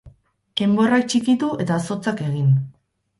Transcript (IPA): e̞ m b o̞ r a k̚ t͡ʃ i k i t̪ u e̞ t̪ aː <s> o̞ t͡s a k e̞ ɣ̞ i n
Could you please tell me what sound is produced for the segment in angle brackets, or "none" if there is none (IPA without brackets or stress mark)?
s